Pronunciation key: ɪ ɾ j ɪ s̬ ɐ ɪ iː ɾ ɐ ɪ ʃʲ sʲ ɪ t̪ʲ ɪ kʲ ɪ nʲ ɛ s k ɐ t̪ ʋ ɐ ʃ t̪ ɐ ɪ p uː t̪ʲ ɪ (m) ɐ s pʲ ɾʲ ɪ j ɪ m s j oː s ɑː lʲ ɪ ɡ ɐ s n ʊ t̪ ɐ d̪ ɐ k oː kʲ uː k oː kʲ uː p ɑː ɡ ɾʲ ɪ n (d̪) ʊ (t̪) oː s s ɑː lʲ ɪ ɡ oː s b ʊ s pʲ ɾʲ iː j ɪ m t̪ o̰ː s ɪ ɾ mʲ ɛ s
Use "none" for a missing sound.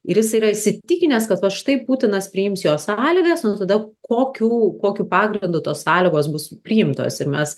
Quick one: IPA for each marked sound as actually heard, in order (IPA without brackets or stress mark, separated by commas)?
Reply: n, d̪, t̪